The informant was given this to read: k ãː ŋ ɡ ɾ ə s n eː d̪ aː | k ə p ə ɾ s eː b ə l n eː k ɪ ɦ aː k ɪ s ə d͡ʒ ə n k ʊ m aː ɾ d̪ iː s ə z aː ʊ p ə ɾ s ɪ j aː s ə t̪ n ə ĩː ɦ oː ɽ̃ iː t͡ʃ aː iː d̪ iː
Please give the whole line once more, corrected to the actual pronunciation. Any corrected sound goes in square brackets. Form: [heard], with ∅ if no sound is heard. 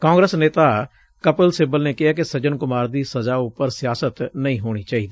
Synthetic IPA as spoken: k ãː ŋ ɡ ɾ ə s n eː [t̪] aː | k ə p ə [l] s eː b ə l n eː k ɪ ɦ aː k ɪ s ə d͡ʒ ə n k ʊ m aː ɾ d̪ iː s ə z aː ʊ p ə ɾ s ɪ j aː s ə t̪ n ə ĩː ɦ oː ɽ̃ iː t͡ʃ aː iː d̪ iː